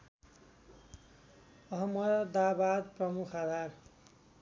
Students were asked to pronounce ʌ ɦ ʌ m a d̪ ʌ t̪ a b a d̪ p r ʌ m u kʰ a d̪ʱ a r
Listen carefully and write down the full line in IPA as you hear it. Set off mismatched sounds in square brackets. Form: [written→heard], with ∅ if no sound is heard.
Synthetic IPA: ʌ ɦ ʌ m [a→ʌ] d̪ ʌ [t̪→d̪] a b a d̪ p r ʌ m u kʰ a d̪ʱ a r